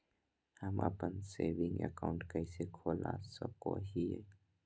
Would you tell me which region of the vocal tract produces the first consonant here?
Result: throat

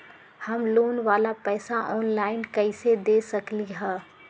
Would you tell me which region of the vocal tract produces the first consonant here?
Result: throat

